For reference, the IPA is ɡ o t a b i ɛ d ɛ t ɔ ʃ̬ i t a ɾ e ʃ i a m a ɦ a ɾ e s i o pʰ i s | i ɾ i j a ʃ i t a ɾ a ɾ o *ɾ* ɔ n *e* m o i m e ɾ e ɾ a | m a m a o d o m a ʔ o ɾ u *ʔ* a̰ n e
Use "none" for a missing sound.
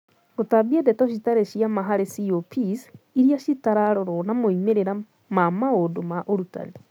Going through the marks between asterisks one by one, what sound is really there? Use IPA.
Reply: ɾ, a, t

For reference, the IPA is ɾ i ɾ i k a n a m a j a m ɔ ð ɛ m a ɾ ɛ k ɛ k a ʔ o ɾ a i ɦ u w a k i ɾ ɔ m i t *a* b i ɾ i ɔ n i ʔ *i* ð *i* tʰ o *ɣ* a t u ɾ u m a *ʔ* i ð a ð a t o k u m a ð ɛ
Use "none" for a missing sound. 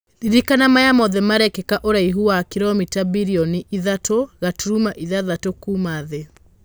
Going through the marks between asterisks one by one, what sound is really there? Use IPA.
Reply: a, i, a, ɣ, ʔ

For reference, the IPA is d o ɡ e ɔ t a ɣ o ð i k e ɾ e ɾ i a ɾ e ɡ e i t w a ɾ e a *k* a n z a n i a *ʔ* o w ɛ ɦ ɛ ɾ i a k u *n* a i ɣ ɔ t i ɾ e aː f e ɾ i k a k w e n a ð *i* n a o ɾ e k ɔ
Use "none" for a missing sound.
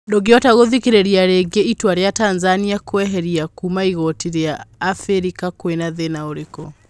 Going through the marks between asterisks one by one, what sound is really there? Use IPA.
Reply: t, k, m, e

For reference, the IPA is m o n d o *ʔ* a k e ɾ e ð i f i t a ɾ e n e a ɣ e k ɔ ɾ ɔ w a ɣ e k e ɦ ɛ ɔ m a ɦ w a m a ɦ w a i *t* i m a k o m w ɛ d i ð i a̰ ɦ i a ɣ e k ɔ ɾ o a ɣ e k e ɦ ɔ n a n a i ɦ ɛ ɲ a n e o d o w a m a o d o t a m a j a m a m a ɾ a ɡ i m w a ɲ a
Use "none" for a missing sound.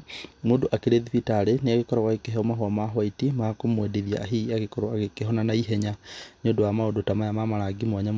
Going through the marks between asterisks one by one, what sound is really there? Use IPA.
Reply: ʔ, t

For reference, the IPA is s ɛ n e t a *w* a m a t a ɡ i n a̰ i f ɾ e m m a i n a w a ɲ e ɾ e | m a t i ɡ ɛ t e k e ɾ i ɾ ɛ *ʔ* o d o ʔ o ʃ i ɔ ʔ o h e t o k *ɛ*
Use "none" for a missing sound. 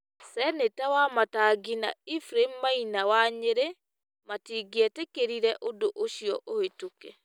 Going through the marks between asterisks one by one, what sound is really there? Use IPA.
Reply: w, ʔ, ɛ

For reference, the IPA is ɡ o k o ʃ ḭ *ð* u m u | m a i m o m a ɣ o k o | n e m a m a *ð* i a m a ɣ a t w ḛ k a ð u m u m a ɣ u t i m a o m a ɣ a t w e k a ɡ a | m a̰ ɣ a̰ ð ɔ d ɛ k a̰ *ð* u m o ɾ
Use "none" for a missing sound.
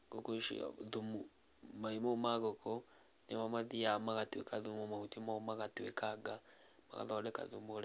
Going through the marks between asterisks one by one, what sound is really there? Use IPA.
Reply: ð, ð, ð

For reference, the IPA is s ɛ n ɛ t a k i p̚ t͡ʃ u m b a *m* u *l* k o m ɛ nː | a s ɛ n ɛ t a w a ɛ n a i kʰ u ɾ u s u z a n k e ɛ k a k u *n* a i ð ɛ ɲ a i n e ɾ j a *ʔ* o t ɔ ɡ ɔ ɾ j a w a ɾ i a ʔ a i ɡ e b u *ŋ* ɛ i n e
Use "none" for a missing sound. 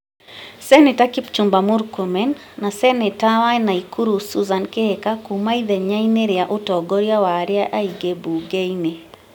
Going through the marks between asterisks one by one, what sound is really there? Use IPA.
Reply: m, ɾ, m, ʔ, ɡ

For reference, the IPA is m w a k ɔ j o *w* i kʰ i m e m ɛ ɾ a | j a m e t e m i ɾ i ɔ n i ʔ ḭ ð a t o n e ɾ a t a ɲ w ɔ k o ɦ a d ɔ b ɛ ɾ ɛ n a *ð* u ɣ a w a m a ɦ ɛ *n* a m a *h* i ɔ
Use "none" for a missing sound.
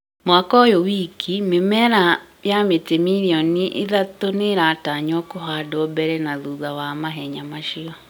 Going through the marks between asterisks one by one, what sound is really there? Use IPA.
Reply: w, ð, ɲ, ʃ

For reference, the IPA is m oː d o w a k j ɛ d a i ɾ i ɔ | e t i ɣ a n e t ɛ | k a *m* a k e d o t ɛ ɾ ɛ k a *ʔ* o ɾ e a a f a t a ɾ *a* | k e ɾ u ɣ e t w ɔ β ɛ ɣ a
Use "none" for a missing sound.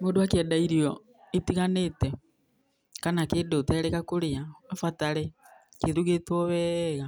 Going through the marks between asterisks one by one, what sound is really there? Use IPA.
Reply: n, k, e

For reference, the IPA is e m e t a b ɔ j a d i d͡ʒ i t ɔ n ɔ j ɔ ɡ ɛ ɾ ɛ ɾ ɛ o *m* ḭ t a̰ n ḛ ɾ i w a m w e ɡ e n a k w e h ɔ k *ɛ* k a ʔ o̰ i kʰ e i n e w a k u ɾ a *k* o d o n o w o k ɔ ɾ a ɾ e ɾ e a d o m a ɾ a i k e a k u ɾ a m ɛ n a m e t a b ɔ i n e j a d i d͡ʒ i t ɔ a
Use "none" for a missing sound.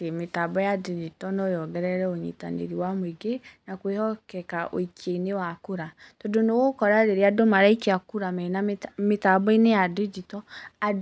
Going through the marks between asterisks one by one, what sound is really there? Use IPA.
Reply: ɲ, ɛ, t

